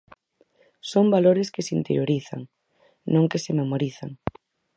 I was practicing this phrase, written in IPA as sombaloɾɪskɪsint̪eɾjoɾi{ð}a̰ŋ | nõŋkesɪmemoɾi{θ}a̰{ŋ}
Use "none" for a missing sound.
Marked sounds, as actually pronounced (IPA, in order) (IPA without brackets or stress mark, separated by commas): θ, θ, ŋ